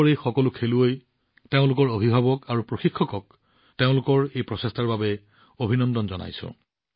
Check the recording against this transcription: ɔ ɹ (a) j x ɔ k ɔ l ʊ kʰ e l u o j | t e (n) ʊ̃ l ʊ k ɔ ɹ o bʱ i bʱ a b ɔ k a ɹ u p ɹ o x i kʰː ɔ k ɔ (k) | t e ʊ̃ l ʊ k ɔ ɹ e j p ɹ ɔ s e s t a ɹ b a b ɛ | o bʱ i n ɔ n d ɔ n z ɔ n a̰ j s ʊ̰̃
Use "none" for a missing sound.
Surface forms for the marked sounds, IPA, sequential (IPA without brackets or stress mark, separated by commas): e, none, k